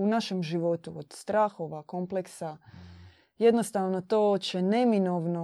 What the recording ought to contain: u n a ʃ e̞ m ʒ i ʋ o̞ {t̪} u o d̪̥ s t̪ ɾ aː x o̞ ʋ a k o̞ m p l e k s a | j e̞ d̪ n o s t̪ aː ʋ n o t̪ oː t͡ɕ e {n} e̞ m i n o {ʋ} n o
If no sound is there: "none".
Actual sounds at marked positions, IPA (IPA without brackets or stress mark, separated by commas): t̪, n, ʋ